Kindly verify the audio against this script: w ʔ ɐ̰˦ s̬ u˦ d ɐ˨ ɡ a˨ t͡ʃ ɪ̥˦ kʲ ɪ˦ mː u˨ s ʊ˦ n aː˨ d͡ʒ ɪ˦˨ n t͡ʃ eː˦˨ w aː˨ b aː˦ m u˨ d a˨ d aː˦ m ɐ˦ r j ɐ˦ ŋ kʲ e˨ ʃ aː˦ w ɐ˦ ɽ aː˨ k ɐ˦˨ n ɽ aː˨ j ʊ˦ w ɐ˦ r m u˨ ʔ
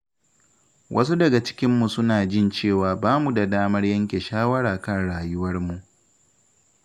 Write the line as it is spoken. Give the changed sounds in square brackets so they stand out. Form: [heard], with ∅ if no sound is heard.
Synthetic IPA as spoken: w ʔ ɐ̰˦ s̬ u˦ d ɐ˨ ɡ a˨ t͡ʃ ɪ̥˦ kʲ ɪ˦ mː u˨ s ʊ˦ n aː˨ d͡ʒ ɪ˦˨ n t͡ʃ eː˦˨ w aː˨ b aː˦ m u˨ d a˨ d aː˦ m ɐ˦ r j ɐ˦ ŋ kʲ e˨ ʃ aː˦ w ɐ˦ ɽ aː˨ k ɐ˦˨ n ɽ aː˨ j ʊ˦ w ɐ˦ r m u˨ ʔ